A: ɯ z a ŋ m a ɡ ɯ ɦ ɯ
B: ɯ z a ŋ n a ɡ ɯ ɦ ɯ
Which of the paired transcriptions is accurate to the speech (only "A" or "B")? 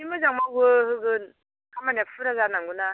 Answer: A